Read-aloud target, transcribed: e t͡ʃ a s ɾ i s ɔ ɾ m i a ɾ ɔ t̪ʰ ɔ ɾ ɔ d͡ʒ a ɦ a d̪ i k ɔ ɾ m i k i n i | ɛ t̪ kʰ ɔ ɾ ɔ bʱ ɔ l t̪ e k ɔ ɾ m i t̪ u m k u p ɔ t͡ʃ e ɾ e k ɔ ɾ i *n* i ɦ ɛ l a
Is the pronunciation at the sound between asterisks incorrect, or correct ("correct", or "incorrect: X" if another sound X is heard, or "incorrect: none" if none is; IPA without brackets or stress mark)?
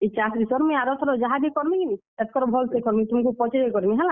incorrect: m